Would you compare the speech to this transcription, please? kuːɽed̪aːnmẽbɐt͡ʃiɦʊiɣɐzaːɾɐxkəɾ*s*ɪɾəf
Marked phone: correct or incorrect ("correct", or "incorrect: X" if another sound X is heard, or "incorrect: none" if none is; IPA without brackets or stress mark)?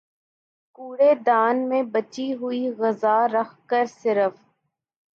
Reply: correct